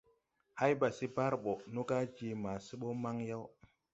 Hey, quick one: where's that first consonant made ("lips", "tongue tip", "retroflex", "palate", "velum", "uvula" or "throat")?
throat